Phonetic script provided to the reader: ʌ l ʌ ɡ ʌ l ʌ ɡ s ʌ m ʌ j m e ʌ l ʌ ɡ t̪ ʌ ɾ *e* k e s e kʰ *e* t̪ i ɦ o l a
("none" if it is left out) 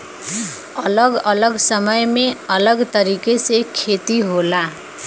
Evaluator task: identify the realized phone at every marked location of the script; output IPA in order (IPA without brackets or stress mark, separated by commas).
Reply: i, e